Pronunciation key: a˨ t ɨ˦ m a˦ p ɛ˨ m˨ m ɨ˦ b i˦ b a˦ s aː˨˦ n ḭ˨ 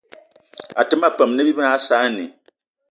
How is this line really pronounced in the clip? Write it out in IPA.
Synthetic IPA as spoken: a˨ t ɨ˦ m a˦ p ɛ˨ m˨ n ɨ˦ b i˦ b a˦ s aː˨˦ n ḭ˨